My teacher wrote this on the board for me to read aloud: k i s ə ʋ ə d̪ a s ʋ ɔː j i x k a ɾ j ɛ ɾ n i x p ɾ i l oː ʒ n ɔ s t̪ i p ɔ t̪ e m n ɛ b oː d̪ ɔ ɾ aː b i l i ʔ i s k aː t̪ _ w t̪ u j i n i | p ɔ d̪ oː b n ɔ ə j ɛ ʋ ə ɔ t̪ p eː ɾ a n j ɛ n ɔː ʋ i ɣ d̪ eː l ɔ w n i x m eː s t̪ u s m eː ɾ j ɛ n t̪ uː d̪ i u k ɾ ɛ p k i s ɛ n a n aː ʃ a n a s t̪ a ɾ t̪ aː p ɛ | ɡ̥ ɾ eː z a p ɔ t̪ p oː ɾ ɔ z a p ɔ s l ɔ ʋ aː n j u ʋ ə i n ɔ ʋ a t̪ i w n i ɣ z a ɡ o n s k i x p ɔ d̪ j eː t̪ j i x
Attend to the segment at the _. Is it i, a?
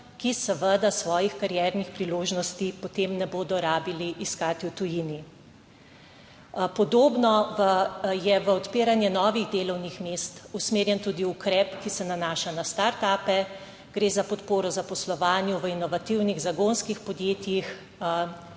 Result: i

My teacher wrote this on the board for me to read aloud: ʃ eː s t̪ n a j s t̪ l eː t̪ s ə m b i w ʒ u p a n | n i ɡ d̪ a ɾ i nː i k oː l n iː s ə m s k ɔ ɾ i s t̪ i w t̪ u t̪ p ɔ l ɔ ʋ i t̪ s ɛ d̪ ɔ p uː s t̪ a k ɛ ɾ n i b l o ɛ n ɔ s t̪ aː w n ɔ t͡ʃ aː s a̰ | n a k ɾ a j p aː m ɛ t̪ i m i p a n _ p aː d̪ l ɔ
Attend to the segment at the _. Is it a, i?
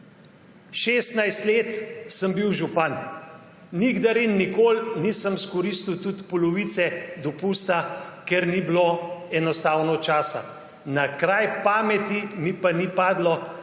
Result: i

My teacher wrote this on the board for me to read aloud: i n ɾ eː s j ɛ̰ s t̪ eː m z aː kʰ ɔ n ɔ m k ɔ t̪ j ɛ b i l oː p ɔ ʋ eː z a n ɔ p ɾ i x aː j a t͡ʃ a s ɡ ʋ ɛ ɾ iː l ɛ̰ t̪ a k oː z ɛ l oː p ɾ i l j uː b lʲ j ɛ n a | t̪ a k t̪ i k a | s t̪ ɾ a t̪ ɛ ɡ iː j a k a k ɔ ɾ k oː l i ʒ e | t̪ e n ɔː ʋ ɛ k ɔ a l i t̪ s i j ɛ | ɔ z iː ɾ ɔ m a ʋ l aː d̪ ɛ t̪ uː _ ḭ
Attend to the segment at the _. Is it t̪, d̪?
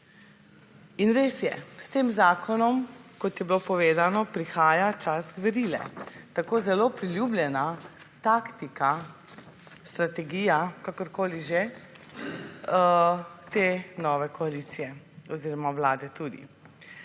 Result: d̪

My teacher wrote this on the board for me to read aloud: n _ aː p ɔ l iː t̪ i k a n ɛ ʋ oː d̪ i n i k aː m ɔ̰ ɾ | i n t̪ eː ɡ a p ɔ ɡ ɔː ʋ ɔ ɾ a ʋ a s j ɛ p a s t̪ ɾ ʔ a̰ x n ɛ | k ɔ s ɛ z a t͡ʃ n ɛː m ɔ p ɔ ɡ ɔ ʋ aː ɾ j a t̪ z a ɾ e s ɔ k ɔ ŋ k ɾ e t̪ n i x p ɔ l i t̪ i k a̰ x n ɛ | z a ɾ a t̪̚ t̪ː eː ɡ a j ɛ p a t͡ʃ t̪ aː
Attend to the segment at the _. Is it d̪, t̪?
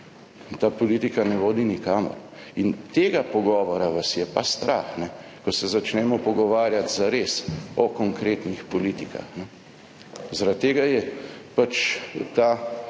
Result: t̪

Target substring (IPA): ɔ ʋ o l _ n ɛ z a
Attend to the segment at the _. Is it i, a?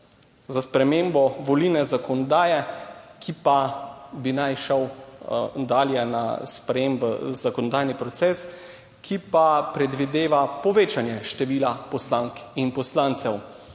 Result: i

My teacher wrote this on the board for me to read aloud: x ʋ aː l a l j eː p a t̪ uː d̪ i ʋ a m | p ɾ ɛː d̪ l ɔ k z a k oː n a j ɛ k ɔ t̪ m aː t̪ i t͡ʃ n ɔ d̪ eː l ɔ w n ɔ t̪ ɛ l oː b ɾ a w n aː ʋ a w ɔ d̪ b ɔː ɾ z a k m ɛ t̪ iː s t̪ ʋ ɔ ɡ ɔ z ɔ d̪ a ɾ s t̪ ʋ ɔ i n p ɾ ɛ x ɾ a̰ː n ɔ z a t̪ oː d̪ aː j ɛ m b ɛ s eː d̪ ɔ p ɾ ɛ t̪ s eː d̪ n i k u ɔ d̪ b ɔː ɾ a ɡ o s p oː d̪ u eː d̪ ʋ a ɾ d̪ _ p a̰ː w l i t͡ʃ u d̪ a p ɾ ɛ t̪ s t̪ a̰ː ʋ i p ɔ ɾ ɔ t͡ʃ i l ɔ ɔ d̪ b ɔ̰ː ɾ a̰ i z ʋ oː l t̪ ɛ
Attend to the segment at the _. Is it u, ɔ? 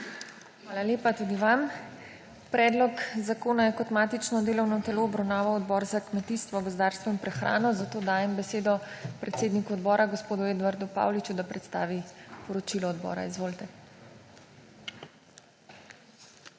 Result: u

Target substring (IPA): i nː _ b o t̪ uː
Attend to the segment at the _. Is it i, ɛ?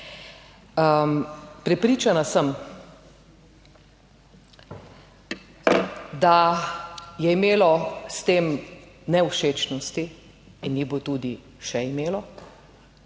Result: i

